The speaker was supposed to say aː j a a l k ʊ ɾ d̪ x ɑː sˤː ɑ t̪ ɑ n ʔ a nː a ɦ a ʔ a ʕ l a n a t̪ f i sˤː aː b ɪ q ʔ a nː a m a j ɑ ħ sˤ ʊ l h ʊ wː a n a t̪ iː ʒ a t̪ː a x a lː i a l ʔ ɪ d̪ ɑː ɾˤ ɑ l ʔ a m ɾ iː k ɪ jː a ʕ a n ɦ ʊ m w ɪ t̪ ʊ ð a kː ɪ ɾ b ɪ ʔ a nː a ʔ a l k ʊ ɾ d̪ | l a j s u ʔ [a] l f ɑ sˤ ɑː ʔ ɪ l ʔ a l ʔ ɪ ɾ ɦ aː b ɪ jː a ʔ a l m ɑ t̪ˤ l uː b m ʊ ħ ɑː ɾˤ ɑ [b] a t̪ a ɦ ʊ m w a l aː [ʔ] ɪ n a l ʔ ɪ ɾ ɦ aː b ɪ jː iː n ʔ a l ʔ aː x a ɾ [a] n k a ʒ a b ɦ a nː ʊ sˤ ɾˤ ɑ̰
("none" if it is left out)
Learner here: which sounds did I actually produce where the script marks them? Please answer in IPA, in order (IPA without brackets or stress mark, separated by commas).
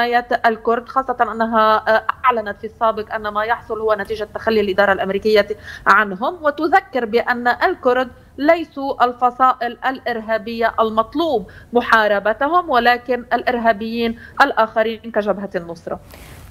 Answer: a, b, k, i